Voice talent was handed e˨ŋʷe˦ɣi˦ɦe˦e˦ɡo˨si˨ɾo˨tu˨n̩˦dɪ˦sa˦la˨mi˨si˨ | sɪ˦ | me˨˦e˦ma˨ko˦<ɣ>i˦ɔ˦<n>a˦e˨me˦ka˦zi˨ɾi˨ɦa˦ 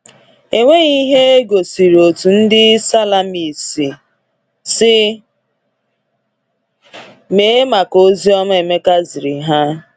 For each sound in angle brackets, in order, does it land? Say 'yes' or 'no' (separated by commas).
no, no